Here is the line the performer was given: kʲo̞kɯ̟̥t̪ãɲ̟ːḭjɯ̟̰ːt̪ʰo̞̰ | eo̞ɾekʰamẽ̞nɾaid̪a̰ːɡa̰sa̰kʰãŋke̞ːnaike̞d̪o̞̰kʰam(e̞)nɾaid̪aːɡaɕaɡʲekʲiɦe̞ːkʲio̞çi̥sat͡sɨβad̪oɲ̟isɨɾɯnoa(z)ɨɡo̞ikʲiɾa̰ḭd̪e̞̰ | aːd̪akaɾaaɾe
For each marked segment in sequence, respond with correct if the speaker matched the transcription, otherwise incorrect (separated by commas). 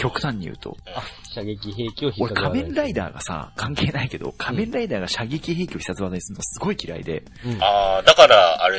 incorrect, incorrect